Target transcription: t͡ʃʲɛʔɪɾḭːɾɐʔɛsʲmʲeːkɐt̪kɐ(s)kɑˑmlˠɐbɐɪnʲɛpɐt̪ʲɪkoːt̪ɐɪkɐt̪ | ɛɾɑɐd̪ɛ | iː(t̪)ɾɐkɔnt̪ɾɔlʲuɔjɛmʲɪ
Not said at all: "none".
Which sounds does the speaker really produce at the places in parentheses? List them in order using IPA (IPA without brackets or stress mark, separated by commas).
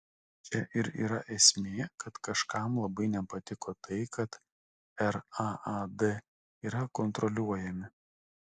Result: ʃ, none